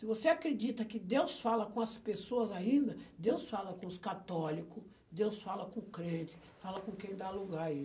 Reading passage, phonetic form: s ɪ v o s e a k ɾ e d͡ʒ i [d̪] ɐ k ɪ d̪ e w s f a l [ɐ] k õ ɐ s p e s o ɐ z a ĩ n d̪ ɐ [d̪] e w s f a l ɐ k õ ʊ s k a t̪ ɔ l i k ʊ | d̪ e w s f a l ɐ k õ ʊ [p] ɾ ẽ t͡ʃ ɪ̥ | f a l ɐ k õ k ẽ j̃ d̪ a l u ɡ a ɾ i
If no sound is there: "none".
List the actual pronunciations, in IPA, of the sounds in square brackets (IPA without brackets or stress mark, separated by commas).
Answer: t̪, ɐ, d̪, k